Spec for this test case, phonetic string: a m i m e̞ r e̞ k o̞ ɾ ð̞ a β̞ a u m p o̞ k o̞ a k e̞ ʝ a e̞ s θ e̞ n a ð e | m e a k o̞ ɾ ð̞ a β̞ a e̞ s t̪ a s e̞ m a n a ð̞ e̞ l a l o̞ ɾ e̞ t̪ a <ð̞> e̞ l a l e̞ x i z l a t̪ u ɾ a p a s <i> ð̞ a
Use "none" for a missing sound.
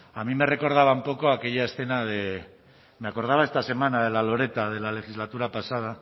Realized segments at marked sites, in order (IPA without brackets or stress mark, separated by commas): ð̞, a